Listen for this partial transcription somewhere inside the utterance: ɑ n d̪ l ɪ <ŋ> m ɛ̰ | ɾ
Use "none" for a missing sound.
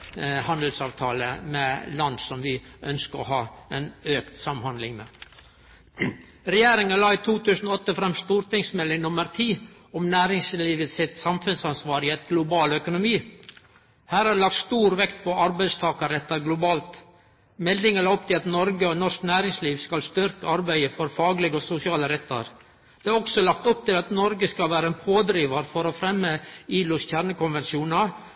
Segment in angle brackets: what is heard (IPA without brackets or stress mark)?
ŋ